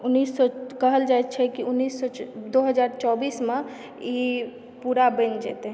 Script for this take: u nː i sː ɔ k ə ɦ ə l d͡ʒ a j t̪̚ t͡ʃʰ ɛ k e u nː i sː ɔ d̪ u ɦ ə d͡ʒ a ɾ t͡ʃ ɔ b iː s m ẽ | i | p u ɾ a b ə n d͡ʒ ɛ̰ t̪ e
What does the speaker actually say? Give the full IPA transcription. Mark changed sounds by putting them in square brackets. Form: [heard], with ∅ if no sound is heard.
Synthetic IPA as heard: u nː i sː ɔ k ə ɦ ə l d͡ʒ a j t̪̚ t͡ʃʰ ɛ k [i] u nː i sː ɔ d̪ [o] ɦ ə d͡ʒ a ɾ t͡ʃ ɔ b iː s m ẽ | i | p u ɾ a b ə n d͡ʒ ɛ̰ t̪ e